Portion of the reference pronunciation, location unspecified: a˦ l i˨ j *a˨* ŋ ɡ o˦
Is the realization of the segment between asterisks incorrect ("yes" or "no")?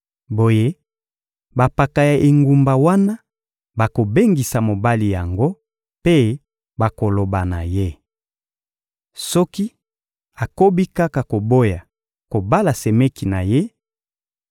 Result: no